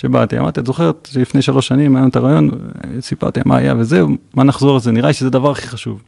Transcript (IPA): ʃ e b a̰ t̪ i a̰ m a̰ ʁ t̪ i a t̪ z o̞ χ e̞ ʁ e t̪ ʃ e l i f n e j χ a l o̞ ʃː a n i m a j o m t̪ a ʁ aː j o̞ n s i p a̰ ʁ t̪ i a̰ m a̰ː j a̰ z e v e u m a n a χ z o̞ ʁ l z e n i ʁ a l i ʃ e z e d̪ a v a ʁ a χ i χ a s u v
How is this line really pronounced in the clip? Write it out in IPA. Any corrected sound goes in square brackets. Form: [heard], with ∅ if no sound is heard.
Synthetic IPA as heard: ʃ e b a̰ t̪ i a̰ m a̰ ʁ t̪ i a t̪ z o̞ χ e̞ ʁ e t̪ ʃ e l i f n e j [ʃ] a l o̞ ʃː a n i m a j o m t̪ a ʁ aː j o̞ n s i p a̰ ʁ t̪ i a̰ m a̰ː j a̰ [v] e [z] e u m a n a χ z o̞ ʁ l z e n i ʁ a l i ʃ e z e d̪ a v a ʁ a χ i χ a [ʃ] u v